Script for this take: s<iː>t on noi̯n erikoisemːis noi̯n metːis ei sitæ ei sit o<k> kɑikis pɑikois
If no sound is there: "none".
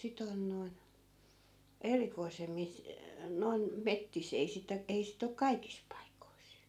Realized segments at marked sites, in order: i, k

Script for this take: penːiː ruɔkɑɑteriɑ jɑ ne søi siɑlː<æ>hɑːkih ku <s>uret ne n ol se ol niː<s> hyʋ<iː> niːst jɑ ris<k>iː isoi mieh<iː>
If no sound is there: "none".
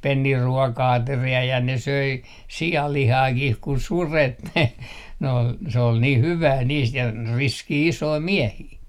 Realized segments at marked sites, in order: i, s, h, æː, k, iː

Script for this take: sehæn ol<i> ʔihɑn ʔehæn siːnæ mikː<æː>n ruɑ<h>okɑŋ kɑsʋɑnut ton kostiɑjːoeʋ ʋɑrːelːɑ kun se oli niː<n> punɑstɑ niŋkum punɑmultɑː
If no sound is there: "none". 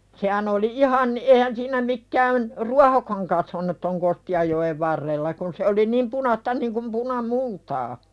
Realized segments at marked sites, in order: i, æː, h, m

